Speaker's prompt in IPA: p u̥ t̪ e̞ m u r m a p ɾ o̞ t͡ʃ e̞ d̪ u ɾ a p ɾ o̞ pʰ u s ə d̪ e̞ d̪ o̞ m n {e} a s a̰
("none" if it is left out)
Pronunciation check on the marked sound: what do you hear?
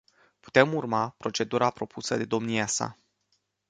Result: i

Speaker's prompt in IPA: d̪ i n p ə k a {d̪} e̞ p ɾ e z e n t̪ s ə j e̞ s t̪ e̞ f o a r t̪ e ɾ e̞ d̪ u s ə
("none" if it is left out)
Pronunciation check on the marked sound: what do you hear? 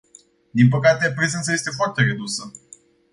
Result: t̪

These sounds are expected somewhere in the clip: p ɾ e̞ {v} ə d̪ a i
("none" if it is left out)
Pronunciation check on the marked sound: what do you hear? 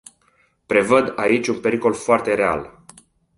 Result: v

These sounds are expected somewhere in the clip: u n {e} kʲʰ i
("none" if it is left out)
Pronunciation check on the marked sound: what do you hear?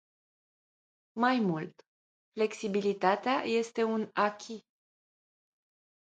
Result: a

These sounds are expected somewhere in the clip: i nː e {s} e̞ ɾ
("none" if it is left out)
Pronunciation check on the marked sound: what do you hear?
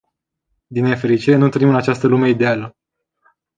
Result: f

